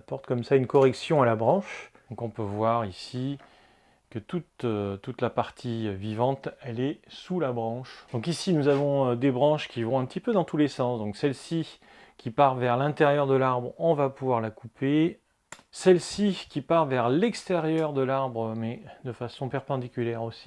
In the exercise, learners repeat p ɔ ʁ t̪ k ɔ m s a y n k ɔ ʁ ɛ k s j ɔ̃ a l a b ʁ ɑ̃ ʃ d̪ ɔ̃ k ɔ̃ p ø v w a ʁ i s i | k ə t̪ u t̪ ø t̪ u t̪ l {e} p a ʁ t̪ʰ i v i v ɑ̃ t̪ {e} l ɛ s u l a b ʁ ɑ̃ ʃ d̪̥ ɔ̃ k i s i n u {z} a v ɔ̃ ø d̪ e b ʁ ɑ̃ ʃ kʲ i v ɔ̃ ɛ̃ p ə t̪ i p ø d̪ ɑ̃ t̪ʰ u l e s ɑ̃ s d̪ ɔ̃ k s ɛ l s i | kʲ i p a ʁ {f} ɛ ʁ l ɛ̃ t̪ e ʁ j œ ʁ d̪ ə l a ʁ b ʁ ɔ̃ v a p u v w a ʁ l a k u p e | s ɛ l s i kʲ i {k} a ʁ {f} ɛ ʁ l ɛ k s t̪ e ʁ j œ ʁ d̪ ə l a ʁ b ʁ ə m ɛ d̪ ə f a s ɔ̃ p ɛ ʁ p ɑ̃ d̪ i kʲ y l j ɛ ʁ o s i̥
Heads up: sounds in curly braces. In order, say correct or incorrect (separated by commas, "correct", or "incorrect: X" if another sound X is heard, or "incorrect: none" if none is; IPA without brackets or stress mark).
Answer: incorrect: a, incorrect: ɛ, correct, incorrect: v, incorrect: p, incorrect: v